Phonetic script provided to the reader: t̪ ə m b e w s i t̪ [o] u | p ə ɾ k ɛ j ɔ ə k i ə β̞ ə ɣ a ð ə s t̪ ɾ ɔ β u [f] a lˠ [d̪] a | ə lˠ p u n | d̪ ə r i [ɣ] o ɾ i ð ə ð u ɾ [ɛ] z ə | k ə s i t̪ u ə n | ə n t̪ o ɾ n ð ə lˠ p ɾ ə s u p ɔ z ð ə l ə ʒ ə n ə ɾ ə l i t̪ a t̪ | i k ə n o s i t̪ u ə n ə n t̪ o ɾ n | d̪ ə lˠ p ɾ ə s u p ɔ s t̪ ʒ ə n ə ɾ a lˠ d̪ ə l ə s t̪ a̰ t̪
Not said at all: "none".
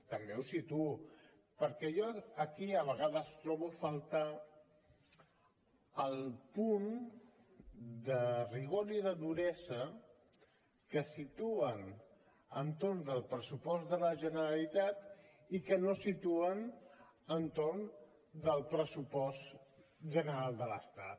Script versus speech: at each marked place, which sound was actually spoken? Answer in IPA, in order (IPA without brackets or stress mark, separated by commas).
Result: u, f, t̪, ɣ, ɛ